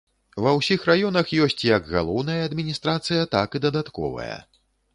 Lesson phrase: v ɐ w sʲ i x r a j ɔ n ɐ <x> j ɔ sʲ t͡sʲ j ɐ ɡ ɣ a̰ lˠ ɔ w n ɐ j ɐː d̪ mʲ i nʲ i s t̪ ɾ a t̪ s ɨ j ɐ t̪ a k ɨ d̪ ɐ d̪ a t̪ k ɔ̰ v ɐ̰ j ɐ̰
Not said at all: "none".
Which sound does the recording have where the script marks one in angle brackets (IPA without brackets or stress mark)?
x